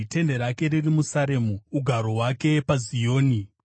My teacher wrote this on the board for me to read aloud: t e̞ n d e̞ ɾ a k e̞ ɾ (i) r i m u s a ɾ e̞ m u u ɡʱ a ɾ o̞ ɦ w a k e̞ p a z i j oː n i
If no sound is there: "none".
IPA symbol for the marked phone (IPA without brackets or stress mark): i